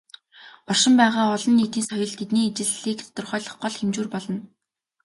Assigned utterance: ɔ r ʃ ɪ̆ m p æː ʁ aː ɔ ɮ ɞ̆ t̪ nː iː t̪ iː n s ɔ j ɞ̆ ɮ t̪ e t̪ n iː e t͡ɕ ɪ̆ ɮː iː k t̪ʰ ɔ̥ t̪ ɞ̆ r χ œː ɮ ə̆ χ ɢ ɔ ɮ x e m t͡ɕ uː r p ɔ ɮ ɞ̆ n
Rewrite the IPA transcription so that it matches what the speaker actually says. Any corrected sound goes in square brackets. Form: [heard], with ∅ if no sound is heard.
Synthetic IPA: ɔ r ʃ ɪ̆ m p æː ʁ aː ɔ ɮ ɞ̆ [∅] nː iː t̪ iː n s ɔ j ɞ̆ ɮ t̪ e t̪ n iː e t͡ɕ ɪ̆ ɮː iː k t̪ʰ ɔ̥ t̪ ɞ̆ r χ œː ɮ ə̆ χ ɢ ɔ ɮ x e m t͡ɕ uː r p ɔ ɮ ɞ̆ n